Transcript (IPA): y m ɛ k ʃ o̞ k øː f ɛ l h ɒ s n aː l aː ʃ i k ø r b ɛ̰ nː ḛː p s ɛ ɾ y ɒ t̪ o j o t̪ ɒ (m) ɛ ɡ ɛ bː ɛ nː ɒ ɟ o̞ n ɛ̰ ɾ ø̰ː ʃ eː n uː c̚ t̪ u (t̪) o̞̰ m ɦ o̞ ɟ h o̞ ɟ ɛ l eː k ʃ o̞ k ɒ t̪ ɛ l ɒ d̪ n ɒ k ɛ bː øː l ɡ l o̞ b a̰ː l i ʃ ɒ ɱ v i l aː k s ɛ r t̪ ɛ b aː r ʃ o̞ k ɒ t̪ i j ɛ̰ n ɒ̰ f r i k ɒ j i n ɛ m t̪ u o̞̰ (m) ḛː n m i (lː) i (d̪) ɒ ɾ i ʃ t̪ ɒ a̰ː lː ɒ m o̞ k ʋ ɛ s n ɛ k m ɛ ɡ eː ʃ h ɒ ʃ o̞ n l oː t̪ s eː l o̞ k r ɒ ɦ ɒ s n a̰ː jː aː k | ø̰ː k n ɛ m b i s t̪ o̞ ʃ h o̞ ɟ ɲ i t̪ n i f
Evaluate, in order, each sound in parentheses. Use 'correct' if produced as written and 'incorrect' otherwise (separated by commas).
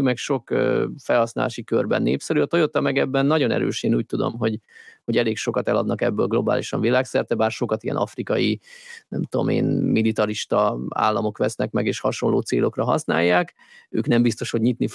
correct, incorrect, correct, incorrect, incorrect